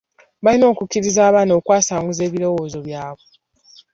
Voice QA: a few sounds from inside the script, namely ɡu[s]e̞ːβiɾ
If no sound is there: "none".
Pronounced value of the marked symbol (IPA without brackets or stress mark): z